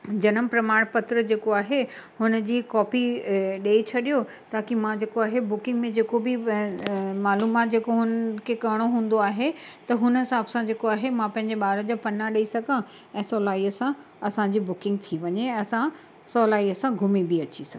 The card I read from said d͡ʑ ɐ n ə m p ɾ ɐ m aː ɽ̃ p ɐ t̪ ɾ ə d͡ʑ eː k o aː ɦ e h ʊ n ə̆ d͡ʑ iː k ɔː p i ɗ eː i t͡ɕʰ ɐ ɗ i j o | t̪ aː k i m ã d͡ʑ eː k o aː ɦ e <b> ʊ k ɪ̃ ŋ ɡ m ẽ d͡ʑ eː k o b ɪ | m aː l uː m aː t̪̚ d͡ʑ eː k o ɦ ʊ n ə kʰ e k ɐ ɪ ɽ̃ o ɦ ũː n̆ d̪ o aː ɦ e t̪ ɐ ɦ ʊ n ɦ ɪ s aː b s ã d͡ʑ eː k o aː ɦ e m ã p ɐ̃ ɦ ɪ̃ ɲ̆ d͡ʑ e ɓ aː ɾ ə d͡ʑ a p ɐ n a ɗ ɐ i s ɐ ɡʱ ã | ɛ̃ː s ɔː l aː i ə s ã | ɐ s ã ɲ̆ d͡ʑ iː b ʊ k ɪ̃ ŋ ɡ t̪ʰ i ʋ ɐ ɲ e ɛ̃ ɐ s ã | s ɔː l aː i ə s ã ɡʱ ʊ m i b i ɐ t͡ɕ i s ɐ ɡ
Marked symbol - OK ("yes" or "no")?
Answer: yes